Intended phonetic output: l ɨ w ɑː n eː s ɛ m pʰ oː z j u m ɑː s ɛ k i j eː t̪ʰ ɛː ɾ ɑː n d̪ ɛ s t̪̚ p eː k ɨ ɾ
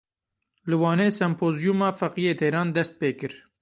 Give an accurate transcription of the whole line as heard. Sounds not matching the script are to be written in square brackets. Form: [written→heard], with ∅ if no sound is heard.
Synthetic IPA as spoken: l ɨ w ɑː n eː s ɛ m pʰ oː z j u m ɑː [s→f] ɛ [k→q] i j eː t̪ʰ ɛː ɾ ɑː n d̪ ɛ s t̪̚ p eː k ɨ ɾ